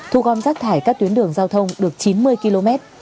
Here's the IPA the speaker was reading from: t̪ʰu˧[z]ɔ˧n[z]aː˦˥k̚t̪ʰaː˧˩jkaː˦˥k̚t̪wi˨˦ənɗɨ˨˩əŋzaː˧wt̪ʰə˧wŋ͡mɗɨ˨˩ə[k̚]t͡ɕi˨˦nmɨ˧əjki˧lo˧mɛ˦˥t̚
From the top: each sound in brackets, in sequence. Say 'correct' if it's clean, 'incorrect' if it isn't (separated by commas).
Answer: incorrect, correct, correct